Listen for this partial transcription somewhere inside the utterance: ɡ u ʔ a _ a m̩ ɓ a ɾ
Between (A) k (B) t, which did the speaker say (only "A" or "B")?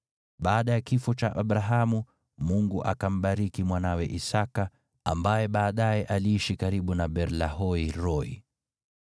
A